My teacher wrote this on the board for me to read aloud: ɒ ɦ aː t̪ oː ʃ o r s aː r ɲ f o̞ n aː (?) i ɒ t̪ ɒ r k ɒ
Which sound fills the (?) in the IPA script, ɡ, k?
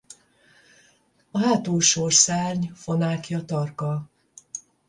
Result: k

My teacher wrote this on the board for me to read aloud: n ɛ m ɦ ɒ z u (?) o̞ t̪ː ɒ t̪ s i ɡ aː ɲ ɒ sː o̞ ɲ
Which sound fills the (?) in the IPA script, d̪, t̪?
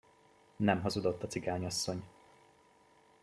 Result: d̪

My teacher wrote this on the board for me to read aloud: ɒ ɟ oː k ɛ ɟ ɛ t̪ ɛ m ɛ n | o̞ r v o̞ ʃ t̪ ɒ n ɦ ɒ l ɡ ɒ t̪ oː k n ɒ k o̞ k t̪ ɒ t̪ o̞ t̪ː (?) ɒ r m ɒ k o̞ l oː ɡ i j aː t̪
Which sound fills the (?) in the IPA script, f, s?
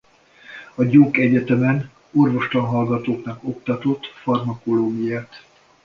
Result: f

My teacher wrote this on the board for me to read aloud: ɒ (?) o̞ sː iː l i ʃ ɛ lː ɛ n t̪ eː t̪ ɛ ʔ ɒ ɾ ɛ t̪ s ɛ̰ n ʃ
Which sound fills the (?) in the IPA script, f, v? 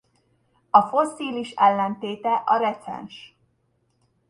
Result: f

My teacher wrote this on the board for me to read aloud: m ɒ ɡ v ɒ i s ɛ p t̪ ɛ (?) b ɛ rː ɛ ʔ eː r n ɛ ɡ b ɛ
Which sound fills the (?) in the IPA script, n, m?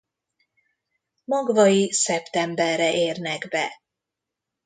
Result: m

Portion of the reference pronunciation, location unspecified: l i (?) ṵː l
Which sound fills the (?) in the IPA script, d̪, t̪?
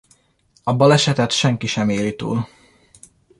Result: t̪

